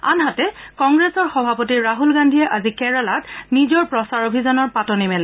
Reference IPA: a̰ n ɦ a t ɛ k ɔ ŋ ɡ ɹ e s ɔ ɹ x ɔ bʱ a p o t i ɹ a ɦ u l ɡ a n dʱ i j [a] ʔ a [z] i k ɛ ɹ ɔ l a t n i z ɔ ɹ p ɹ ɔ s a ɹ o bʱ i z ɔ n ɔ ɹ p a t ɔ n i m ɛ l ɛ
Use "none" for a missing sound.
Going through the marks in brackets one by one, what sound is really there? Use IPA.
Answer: ɛ, z

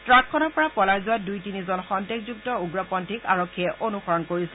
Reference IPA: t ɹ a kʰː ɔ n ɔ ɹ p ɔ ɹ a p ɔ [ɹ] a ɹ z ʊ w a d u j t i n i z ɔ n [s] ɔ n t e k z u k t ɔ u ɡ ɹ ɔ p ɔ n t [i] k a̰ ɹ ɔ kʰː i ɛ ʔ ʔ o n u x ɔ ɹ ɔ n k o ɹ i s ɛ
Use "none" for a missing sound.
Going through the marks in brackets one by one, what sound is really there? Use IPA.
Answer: l, x, i

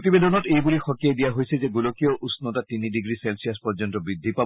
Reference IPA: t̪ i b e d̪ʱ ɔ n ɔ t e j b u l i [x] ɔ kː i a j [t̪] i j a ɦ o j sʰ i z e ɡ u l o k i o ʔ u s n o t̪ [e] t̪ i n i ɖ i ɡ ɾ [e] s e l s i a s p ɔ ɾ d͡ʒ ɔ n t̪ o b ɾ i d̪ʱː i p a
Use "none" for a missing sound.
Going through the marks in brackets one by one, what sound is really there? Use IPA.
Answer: x, d̪, a, i

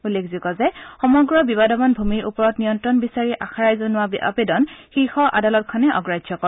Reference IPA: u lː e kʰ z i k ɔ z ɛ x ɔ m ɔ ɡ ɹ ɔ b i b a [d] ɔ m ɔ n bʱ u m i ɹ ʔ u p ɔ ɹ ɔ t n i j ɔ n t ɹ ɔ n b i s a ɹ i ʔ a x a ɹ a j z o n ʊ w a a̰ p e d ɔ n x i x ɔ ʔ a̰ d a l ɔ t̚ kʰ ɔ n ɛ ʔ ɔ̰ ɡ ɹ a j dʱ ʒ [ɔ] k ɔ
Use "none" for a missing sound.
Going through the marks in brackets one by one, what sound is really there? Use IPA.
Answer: d, ɔ

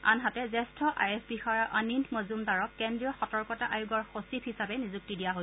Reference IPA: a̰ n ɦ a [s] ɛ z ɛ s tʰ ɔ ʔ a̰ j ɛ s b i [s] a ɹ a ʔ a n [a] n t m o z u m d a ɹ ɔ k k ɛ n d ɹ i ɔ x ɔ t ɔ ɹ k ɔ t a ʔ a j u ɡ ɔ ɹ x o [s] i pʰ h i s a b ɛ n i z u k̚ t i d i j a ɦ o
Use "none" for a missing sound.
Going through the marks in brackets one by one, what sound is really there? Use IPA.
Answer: t, x, i, s

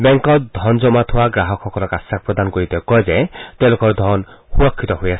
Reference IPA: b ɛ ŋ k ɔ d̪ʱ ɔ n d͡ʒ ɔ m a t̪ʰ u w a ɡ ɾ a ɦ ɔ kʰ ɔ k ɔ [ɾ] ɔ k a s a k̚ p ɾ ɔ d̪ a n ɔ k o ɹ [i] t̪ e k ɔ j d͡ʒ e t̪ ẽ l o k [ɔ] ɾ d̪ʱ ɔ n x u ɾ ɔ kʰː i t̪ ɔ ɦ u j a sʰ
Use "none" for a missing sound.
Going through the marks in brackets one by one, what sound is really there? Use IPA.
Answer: l, i, ɔ

